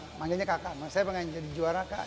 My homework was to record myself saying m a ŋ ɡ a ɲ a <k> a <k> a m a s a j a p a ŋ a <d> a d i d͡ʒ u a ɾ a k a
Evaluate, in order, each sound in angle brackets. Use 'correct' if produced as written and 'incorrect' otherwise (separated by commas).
correct, correct, incorrect